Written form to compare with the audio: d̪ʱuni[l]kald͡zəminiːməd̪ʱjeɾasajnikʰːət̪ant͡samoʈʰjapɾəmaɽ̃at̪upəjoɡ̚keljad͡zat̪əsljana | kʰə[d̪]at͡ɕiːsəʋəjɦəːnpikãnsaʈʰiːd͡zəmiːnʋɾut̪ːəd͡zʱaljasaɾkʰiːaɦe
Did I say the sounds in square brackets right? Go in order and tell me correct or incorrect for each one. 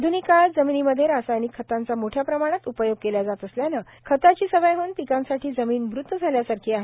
incorrect, incorrect

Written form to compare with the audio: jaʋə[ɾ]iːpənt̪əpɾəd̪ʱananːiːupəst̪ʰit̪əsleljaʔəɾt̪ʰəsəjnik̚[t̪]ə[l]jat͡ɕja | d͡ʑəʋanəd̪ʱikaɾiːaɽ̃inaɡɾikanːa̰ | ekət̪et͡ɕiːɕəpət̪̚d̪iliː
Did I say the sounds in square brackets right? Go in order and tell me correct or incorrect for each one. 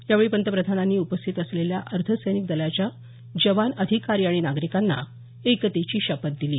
incorrect, incorrect, correct

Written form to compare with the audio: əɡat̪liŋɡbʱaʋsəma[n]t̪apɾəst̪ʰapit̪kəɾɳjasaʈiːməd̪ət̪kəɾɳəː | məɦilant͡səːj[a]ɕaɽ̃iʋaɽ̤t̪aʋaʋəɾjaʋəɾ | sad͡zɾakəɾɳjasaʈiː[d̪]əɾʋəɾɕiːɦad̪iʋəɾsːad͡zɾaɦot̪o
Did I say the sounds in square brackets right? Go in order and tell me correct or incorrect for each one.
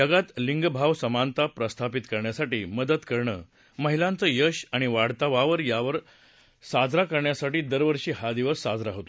correct, incorrect, correct

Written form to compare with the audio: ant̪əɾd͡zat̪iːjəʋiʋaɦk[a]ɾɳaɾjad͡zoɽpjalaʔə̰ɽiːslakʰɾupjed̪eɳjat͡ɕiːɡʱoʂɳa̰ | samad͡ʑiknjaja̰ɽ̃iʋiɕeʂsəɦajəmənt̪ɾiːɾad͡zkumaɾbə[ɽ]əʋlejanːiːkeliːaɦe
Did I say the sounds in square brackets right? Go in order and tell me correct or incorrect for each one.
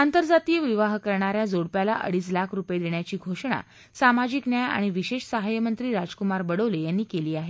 incorrect, correct

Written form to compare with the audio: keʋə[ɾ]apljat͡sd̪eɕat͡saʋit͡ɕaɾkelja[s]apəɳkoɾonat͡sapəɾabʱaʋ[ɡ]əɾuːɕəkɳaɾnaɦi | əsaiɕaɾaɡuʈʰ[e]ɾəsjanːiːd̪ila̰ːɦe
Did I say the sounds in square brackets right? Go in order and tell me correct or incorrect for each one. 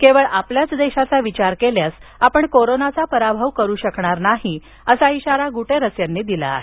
incorrect, correct, incorrect, correct

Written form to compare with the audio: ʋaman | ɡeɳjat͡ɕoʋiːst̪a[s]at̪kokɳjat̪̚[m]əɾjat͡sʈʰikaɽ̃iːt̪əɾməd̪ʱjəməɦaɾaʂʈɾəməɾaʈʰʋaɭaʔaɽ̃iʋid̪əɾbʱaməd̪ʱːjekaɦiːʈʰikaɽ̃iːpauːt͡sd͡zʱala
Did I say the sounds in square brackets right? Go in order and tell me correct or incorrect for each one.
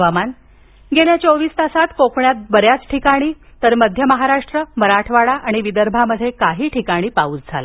correct, incorrect

